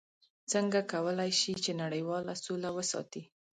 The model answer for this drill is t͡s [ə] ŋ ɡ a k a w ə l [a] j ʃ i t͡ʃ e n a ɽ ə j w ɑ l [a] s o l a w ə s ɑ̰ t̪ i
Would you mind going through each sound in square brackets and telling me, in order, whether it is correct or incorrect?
correct, correct, correct

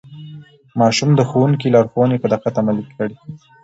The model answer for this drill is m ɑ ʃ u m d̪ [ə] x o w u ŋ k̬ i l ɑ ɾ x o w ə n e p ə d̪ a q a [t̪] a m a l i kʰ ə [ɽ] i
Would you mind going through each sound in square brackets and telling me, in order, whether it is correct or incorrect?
correct, correct, correct

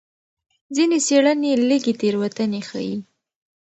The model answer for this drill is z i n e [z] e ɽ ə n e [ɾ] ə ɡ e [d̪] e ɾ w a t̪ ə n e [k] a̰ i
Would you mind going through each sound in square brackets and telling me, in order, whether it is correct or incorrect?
incorrect, incorrect, incorrect, incorrect

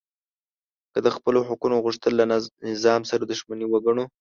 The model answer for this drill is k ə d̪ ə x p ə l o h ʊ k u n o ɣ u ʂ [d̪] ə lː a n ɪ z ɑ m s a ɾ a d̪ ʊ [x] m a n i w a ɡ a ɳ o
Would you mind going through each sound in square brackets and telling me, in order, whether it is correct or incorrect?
incorrect, incorrect

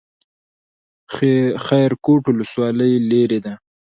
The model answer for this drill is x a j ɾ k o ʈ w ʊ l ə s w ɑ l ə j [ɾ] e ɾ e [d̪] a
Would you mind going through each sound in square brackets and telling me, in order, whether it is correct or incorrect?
incorrect, correct

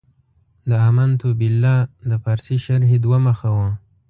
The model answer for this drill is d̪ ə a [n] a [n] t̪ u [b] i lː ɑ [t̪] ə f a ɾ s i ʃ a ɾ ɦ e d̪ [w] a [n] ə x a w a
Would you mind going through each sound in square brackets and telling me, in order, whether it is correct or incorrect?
incorrect, correct, correct, incorrect, correct, incorrect

